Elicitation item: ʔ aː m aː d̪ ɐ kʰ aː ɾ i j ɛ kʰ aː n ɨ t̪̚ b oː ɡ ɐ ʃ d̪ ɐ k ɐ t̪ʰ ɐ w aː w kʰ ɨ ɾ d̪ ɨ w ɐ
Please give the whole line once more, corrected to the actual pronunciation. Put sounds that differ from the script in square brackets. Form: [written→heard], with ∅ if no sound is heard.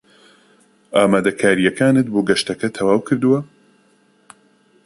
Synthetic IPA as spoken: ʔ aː m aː d̪ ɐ kʰ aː ɾ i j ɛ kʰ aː n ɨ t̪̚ b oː ɡ ɐ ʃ [d̪→t̪] ɐ k ɐ t̪ʰ ɐ w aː w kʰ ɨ ɾ d̪ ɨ w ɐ